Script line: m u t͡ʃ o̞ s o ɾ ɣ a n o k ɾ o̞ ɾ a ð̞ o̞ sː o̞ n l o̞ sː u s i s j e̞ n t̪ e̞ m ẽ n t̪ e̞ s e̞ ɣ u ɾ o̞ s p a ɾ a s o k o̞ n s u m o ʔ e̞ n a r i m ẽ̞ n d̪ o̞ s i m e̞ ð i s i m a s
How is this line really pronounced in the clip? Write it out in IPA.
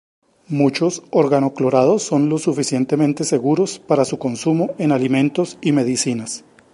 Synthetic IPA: m u t͡ʃ o̞ s o ɾ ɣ a n o k l o̞ ɾ a ð̞ o̞ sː o̞ n l o̞ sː u f i s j e̞ n t̪ e̞ m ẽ n t̪ e̞ s e̞ ɣ u ɾ o̞ s p a ɾ a s u k o̞ n s u m o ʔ e̞ n a l i m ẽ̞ n t̪ o̞ s i m e̞ ð i s i n a s